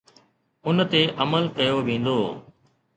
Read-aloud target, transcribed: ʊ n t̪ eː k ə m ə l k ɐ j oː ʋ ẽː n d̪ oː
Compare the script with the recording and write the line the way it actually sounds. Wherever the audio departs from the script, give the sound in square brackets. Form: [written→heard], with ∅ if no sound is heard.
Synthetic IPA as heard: ʊ n t̪ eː [k→ʔ] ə m ə l k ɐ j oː ʋ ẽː n d̪ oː